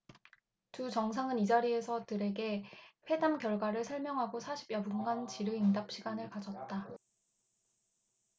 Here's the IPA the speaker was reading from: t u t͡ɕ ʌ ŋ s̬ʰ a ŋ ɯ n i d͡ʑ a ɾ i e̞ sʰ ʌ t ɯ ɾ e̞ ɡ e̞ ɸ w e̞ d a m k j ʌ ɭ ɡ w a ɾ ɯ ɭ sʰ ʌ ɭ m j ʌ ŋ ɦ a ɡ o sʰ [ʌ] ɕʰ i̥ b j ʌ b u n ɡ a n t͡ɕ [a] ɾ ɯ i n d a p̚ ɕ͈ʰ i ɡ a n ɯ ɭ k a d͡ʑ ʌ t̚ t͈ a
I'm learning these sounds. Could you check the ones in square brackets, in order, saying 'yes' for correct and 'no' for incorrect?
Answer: no, no

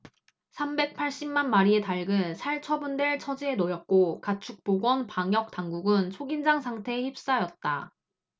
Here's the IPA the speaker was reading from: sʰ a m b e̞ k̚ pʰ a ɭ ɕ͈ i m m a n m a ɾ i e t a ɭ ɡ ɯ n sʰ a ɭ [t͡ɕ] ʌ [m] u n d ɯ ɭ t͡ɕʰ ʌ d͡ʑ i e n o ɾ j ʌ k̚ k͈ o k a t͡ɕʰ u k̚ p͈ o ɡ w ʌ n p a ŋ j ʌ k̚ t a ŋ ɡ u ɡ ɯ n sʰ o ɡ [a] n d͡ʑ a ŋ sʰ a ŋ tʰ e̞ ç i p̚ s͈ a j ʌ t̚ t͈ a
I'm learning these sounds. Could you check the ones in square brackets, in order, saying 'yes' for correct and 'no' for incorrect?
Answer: no, no, no

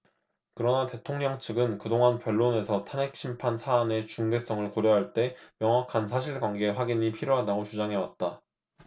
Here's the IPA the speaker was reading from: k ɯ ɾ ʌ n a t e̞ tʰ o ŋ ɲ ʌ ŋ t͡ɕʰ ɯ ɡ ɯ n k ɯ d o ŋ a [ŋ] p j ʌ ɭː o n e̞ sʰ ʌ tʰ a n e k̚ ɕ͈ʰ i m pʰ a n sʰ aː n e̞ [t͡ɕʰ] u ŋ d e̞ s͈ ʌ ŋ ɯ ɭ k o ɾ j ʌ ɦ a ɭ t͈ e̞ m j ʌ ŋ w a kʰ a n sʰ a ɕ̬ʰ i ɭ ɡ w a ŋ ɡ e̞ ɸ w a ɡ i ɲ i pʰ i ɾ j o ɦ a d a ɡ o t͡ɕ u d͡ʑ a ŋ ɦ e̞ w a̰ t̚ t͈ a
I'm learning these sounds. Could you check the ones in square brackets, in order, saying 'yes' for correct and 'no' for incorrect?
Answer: no, no

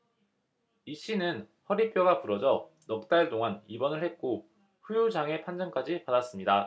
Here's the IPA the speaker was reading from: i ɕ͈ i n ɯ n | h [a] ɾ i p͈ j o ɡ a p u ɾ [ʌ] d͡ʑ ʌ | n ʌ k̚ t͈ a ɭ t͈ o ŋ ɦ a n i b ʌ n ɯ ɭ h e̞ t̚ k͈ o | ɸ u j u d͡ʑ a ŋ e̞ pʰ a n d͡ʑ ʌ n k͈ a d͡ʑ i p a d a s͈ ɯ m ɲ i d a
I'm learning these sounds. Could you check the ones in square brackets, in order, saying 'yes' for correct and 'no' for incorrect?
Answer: no, yes

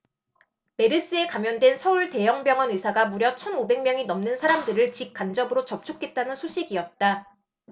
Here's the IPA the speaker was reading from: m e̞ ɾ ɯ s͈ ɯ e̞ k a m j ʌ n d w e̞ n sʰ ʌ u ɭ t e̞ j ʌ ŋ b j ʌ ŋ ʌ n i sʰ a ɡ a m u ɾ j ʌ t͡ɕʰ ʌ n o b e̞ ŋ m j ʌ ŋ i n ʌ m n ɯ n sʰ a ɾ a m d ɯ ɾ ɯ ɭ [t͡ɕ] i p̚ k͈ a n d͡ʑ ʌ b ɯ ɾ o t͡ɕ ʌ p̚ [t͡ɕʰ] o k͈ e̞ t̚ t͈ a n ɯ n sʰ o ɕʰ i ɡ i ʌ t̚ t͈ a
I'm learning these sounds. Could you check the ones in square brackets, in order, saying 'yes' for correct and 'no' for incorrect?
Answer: yes, yes

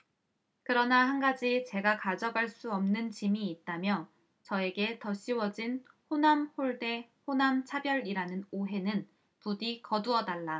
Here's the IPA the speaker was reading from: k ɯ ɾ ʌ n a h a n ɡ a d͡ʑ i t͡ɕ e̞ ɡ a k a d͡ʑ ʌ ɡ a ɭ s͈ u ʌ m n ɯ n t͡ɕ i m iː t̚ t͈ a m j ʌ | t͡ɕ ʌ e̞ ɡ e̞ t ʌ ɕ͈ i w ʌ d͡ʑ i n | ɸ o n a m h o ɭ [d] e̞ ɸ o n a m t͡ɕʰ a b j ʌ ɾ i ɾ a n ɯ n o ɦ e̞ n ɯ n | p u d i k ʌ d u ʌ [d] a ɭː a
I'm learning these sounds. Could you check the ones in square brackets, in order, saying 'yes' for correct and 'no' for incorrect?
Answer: yes, yes

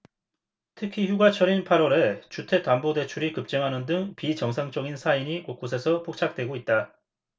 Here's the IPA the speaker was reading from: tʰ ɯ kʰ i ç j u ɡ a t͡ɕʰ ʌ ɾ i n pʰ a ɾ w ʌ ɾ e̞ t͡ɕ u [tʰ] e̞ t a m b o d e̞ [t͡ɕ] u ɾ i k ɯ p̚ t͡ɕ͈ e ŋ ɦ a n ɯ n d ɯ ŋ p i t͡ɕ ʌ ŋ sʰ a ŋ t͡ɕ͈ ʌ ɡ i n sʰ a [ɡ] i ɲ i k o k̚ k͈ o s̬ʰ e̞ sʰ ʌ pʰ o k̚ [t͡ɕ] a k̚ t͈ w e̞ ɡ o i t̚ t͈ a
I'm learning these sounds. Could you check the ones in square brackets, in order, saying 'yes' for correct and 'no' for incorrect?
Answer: yes, no, no, no

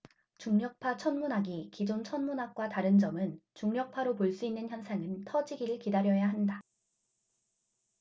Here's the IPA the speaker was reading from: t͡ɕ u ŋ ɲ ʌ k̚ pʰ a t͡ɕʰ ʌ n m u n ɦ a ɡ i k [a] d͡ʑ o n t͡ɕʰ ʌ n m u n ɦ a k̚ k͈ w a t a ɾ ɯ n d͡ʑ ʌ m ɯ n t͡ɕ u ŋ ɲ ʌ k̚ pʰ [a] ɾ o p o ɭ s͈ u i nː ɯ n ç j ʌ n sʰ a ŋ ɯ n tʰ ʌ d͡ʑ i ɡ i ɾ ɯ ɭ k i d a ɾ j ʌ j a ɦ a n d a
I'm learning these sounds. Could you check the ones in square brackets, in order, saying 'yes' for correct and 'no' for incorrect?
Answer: no, yes

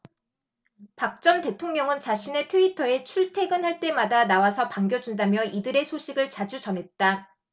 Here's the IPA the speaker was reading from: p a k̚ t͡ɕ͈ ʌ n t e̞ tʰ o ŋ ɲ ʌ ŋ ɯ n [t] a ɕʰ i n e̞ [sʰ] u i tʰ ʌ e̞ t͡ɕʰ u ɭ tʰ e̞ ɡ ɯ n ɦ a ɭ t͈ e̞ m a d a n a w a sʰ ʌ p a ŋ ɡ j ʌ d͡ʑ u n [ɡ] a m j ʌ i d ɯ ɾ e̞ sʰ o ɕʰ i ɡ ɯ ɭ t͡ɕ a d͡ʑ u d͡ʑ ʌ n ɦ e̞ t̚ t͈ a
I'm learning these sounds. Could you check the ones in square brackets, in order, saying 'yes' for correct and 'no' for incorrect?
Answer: no, no, no

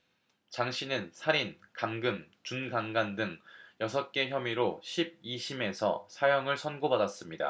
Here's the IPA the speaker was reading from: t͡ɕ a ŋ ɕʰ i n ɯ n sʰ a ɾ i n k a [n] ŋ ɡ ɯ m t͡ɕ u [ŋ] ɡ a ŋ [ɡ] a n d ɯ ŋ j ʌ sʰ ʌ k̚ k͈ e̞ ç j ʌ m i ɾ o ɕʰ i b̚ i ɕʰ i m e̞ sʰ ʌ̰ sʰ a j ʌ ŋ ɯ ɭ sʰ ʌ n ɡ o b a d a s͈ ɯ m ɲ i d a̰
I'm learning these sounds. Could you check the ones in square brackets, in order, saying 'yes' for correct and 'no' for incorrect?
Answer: no, no, yes

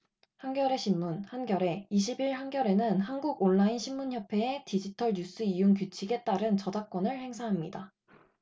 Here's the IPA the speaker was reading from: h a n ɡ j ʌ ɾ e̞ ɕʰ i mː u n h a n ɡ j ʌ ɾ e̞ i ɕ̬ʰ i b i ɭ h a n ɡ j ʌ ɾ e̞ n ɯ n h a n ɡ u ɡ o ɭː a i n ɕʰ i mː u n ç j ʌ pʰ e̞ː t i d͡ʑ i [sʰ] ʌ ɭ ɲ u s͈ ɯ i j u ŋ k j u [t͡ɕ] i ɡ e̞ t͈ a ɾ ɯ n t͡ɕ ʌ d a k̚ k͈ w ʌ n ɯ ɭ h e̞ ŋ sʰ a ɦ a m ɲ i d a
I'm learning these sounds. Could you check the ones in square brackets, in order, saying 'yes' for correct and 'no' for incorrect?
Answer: no, no

